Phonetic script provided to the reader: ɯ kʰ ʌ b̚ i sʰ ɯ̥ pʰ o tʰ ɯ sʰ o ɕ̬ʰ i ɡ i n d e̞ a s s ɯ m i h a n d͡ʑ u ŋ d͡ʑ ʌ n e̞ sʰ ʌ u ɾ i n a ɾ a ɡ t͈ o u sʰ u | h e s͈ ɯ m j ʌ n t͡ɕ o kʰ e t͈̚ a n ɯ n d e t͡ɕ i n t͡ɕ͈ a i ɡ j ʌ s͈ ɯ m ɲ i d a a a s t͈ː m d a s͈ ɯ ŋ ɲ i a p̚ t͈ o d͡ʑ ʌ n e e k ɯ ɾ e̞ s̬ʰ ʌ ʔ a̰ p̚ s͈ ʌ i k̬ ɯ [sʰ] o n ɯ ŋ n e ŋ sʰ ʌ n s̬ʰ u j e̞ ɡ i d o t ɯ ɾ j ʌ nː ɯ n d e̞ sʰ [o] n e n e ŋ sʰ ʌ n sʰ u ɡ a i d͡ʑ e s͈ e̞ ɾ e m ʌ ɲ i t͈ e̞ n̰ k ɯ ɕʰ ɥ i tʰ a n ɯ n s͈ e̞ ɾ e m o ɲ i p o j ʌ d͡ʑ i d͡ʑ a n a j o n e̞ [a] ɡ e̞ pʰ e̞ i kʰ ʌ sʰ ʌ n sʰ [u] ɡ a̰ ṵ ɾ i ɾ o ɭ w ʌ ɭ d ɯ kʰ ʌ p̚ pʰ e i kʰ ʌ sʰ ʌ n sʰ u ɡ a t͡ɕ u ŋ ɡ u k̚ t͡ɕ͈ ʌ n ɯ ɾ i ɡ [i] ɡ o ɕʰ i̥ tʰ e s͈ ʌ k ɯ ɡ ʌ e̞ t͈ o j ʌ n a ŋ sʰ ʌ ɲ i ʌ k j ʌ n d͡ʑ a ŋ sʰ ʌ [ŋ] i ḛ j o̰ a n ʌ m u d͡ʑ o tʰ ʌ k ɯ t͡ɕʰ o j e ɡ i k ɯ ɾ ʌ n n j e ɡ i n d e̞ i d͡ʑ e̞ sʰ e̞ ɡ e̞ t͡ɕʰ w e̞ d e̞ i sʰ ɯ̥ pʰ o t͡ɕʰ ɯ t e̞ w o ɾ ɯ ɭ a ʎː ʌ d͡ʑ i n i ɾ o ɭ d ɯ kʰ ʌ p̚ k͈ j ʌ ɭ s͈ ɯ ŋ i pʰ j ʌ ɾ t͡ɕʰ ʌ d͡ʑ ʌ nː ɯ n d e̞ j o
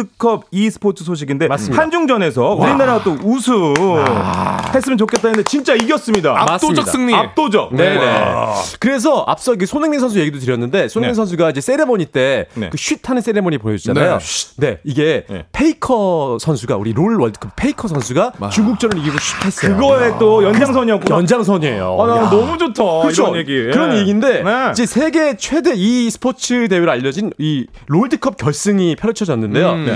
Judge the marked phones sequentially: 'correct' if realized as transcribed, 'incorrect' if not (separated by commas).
correct, correct, incorrect, correct, correct, incorrect